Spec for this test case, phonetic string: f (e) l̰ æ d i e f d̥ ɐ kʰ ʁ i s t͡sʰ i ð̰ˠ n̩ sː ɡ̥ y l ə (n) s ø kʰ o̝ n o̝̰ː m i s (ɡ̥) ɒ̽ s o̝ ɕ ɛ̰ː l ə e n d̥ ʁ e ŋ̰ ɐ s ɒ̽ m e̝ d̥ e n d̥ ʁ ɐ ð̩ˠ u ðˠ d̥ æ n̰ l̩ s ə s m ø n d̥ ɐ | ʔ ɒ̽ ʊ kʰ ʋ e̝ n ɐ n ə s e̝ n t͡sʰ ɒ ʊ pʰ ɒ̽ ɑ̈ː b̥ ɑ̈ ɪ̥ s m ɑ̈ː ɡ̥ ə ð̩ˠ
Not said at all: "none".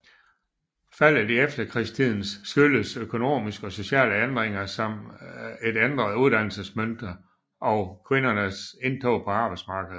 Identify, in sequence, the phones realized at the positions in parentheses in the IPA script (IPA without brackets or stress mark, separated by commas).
æ, none, ɡ̥